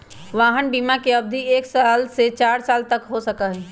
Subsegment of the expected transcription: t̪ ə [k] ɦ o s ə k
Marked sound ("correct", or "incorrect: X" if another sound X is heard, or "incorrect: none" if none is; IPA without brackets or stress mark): correct